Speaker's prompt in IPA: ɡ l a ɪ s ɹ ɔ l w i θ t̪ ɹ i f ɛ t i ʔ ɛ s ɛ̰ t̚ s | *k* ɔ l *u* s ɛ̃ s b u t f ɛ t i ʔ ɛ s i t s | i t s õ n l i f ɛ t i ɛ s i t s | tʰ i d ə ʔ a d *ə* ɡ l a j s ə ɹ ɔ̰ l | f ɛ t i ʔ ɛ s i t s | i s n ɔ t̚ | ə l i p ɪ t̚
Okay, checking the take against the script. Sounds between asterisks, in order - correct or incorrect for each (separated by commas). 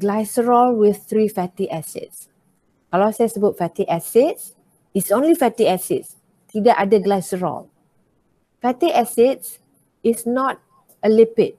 correct, incorrect, correct